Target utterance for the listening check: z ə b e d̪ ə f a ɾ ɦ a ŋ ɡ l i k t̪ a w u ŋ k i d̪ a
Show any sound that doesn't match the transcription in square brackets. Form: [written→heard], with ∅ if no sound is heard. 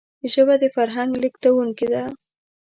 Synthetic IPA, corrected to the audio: [z→ʒ] ə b [e→a] d̪ ə f a ɾ ɦ a ŋ ɡ l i k t̪ a w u ŋ k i d̪ a